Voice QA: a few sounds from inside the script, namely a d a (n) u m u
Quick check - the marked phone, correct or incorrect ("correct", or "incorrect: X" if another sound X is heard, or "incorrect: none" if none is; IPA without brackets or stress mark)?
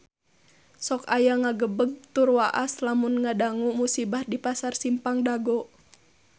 incorrect: ŋ